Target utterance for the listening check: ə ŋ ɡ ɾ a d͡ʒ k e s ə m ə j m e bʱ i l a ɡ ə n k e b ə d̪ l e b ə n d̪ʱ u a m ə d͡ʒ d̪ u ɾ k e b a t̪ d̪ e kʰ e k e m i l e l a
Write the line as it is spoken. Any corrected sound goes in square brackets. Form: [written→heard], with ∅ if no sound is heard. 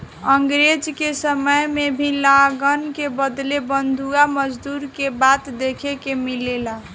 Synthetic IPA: ə ŋ ɡ ɾ [a→e] d͡ʒ k e s ə m ə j m e bʱ i l a ɡ ə n k e b ə d̪ l e b ə n d̪ʱ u a m ə d͡ʒ d̪ u ɾ k e b a t̪ d̪ e kʰ e k e m i l e l a